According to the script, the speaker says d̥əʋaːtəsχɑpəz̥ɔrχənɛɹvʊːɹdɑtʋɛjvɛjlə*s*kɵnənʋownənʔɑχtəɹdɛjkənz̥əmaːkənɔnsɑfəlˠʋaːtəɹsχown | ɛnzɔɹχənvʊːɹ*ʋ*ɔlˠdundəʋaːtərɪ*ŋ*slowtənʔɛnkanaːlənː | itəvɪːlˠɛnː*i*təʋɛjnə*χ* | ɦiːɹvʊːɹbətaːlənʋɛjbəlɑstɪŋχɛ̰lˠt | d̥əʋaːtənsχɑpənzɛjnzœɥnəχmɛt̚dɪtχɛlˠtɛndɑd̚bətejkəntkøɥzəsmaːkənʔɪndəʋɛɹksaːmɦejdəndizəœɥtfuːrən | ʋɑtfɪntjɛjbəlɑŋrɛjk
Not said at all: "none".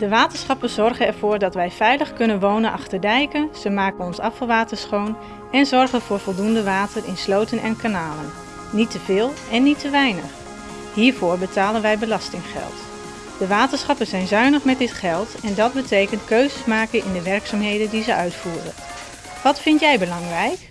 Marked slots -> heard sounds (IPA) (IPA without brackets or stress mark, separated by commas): χ, v, n, i, χ